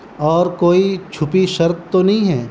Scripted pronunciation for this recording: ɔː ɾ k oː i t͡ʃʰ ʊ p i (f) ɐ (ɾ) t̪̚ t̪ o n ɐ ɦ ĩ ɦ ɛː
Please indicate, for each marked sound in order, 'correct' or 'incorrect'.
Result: incorrect: ʃ, correct

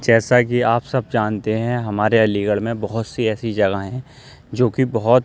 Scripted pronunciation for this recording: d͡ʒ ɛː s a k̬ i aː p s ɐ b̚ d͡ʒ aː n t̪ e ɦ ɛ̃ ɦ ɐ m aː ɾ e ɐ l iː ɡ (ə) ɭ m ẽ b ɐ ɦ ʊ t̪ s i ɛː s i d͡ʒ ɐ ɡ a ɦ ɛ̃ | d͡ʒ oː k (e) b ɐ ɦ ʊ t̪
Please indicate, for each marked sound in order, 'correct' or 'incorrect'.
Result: correct, incorrect: i

